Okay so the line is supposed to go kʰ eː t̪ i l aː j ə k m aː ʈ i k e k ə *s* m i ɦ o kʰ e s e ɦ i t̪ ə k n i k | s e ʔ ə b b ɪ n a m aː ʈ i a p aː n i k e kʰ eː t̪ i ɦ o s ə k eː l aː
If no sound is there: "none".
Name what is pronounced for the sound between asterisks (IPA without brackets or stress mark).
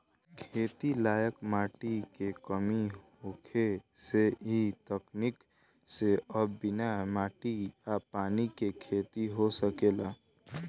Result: none